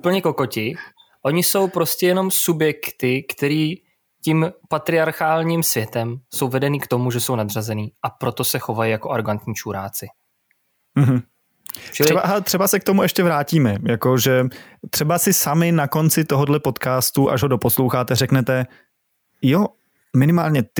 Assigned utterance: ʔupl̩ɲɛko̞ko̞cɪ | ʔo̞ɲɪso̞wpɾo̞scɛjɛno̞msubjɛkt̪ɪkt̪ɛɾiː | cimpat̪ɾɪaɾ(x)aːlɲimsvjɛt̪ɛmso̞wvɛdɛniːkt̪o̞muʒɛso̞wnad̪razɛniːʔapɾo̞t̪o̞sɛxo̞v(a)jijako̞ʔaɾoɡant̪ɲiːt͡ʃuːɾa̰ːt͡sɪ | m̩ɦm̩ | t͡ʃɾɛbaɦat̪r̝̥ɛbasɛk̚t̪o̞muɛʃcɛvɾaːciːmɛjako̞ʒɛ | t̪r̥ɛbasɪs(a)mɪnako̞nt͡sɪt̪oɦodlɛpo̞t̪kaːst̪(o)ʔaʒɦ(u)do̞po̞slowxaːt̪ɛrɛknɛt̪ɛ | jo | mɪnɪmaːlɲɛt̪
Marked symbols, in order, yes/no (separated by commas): yes, yes, yes, no, no